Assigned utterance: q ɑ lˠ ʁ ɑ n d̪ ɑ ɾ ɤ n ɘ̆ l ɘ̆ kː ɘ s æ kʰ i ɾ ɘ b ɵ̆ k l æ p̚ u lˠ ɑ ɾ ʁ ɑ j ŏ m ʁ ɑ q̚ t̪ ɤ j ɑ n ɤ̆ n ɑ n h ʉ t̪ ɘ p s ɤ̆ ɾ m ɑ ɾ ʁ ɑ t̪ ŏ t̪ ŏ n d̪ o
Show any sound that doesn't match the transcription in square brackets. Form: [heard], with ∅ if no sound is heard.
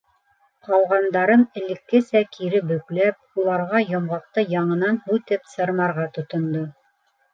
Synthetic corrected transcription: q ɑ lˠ ʁ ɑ n d̪ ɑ ɾ ɤ n ɘ̆ l ɘ̆ kː ɘ s æ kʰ i ɾ ɘ b ɵ̆ k l æ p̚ u lˠ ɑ ɾ ʁ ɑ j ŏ m ʁ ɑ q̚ t̪ ɤ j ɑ [ɴ] ɤ̆ n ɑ n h ʉ t̪ ɘ p s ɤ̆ ɾ m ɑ ɾ ʁ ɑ t̪ ŏ t̪ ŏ n d̪ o